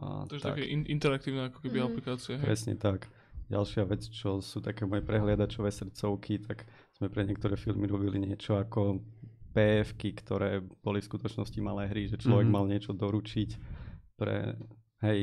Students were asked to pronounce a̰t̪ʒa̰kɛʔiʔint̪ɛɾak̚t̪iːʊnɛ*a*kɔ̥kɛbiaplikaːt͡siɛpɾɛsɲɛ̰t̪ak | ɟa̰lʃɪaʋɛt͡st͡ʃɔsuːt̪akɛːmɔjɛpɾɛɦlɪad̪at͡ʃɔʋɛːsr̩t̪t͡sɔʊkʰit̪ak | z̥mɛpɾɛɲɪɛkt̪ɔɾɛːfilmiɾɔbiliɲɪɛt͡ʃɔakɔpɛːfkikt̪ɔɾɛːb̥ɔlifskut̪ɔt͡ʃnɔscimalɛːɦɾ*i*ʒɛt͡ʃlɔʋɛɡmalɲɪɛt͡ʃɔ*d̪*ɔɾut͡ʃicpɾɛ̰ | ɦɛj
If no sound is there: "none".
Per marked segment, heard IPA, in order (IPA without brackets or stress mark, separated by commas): a, i, d̪